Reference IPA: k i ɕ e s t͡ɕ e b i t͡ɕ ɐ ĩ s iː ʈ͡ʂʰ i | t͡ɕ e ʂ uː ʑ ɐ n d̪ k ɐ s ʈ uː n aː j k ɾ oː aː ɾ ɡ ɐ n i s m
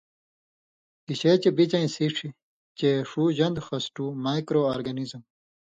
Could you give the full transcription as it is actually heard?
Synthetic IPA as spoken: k i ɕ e t͡ɕ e b i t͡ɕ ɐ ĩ s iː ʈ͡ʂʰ i | t͡ɕ e ʂ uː ʑ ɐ n d̪ x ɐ s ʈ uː m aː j k ɾ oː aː ɾ ɡ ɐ n i z m